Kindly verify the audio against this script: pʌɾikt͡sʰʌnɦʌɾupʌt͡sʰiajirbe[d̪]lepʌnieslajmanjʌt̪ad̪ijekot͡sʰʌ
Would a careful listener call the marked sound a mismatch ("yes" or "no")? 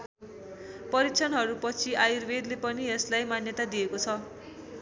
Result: no